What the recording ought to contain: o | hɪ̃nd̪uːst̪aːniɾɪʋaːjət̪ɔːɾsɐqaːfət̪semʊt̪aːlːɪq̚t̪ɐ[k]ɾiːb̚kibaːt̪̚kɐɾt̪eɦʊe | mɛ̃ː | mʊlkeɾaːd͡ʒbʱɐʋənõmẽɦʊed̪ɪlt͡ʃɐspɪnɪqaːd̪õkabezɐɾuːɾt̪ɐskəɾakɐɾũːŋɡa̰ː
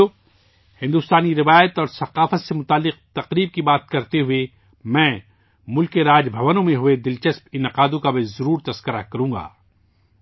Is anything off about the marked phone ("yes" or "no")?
yes